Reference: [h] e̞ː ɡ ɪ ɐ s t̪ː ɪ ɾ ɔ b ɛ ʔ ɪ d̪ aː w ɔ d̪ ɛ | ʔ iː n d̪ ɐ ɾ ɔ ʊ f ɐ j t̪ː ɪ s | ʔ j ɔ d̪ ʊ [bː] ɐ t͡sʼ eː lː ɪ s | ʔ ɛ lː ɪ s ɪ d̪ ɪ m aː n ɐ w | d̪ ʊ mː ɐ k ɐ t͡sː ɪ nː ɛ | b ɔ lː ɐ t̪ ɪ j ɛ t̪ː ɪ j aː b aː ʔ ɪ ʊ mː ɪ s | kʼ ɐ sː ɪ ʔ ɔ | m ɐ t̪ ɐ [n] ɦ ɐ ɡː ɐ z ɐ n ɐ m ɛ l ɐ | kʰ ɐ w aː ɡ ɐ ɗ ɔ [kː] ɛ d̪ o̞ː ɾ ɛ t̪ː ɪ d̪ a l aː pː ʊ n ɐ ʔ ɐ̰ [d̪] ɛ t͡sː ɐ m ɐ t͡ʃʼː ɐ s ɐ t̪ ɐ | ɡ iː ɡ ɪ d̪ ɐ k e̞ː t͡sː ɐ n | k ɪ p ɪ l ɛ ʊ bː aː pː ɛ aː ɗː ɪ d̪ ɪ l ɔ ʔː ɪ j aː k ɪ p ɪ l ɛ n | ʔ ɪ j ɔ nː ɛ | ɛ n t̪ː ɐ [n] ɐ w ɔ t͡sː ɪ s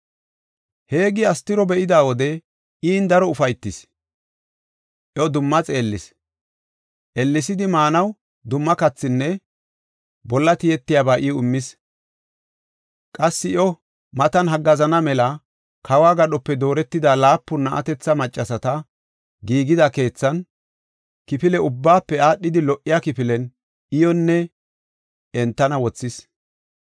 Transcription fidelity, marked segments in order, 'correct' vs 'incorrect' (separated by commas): correct, incorrect, correct, incorrect, incorrect, correct